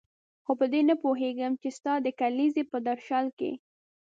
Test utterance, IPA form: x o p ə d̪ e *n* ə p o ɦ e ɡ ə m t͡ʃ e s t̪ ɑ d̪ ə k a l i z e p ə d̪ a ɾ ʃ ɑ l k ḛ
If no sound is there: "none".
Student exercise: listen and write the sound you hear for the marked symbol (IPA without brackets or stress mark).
n